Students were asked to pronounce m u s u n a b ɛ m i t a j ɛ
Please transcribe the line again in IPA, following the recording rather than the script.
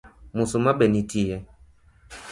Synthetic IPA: m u s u m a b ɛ n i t i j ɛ